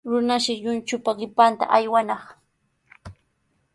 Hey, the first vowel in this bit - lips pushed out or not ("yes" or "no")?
yes